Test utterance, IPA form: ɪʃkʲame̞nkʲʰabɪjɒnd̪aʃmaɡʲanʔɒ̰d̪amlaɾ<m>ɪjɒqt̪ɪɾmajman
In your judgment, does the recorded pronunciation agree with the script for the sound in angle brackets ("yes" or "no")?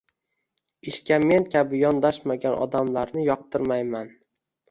no